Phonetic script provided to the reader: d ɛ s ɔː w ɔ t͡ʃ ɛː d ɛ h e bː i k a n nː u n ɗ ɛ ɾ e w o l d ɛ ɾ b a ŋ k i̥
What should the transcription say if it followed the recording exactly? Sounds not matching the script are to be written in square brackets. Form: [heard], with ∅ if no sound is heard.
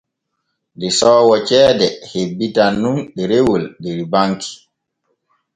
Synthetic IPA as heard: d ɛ s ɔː w ɔ t͡ʃ ɛː d ɛ h e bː i [t] a n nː u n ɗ ɛ ɾ e w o l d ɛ ɾ b a ŋ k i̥